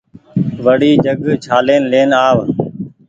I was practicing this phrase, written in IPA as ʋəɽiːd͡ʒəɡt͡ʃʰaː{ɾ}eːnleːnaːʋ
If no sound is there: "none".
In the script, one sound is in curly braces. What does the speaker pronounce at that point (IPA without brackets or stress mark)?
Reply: l